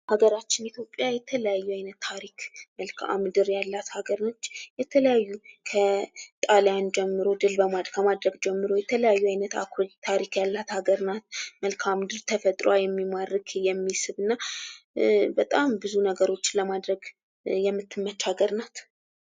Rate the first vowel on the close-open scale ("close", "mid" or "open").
open